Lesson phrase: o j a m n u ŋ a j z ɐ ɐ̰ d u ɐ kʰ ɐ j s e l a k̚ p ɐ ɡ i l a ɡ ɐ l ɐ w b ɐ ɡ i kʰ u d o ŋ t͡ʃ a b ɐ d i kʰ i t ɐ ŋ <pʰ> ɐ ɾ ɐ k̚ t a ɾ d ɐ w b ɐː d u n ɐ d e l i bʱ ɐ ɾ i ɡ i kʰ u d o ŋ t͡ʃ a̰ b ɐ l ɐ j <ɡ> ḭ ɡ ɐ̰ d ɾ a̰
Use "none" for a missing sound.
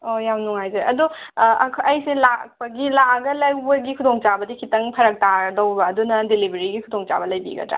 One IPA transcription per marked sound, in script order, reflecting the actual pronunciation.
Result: pʰ, b

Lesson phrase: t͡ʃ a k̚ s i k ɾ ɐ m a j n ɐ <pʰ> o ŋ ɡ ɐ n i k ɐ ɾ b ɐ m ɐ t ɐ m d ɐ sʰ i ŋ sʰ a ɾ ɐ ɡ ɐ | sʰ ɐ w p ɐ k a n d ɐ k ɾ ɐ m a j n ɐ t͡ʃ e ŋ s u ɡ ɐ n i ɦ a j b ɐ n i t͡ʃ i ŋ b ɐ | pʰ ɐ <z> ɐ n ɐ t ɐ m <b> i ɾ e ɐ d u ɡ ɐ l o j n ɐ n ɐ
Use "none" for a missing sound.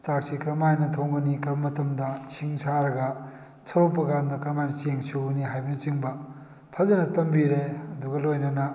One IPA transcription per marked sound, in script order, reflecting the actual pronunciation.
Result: tʰ, z, b

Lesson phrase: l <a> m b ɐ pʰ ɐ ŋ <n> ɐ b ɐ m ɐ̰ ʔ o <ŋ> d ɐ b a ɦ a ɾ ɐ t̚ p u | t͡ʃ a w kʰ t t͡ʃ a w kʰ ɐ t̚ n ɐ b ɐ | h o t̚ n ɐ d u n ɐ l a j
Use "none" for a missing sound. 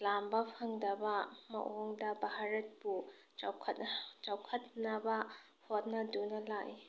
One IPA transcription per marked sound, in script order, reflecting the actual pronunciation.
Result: a, d, ŋ

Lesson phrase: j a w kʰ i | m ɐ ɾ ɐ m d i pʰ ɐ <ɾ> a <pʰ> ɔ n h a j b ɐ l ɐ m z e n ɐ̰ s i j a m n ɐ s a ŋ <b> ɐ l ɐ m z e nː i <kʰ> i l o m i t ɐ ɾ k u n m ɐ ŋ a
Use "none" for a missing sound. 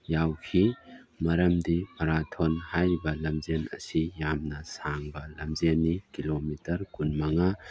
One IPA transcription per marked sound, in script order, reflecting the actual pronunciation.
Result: ɾ, tʰ, b, k

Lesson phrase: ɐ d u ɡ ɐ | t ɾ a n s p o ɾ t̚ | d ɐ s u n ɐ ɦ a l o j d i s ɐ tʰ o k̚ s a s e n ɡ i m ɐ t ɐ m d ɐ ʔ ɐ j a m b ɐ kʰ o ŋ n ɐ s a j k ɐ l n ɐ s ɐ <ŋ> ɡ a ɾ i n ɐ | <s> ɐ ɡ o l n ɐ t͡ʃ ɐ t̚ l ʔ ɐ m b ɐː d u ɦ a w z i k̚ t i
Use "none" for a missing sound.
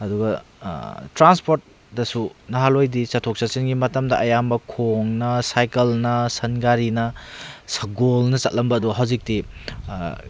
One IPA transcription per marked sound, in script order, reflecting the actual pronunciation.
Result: n, s

